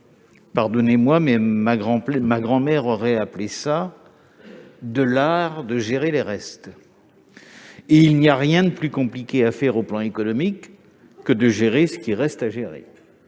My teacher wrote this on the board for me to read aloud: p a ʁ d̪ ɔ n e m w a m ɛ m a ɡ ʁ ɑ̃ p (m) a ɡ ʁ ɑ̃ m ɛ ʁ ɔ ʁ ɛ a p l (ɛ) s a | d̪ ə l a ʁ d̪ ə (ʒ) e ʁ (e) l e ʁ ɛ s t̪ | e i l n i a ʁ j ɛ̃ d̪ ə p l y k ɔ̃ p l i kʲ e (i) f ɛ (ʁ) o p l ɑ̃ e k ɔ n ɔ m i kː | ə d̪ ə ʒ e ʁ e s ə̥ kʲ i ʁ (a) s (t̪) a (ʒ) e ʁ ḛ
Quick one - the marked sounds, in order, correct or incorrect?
correct, incorrect, correct, correct, incorrect, correct, incorrect, correct, correct

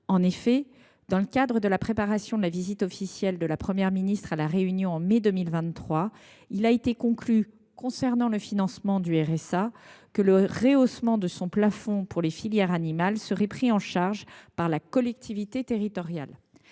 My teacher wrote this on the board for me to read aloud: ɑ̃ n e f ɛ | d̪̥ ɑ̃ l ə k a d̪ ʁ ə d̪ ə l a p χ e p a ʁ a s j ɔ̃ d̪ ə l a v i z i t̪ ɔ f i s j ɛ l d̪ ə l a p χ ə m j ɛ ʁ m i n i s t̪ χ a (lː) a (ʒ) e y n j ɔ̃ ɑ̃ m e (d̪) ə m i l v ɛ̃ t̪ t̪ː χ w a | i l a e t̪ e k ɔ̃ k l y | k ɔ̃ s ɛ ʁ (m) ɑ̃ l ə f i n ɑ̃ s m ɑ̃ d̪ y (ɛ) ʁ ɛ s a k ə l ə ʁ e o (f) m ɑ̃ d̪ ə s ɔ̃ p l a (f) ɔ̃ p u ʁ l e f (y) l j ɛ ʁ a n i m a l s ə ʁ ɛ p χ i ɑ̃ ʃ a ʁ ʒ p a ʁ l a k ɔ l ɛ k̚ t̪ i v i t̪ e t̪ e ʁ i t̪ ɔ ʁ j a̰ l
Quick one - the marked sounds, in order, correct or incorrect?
incorrect, incorrect, correct, incorrect, correct, incorrect, correct, incorrect

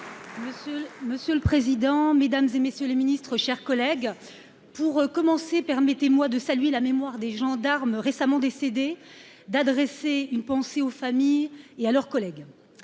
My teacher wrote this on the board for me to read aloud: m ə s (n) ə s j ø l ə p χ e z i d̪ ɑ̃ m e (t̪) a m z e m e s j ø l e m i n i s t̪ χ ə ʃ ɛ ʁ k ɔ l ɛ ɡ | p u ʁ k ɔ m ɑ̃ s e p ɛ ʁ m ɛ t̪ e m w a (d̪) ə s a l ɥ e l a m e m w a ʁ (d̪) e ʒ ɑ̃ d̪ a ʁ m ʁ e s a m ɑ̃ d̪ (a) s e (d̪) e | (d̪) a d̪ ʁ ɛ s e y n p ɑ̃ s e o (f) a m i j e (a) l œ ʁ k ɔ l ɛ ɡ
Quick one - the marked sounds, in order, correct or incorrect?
incorrect, incorrect, correct, correct, incorrect, correct, correct, correct, correct

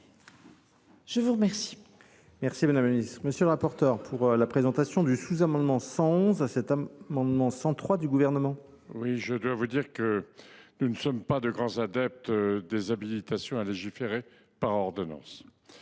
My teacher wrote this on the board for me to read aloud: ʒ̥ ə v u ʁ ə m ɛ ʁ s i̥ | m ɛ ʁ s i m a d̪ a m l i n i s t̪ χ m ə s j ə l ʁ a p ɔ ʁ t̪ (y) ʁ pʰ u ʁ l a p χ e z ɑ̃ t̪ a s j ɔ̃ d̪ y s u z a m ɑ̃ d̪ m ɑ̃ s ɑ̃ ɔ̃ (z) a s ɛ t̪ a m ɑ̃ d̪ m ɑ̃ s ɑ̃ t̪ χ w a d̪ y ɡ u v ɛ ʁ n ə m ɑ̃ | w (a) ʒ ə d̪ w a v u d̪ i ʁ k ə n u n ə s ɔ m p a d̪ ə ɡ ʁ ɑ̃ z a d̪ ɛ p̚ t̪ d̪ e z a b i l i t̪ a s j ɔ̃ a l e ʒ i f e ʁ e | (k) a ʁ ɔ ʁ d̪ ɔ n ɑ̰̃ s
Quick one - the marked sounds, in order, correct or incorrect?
incorrect, correct, incorrect, incorrect

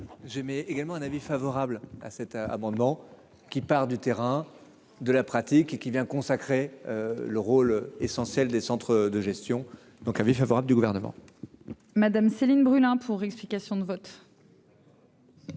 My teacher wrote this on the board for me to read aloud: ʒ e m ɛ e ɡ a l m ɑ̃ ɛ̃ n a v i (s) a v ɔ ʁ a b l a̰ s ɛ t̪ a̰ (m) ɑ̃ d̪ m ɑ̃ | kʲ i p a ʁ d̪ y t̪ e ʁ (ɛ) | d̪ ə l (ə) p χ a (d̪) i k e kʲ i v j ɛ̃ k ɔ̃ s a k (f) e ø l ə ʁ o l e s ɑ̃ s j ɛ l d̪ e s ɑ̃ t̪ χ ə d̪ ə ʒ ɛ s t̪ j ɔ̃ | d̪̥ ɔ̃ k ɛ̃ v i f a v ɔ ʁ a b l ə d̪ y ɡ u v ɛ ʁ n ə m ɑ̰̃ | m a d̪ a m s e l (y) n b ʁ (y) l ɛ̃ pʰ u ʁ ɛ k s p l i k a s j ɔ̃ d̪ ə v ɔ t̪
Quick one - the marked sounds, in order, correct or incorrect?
incorrect, correct, incorrect, incorrect, incorrect, incorrect, incorrect, correct

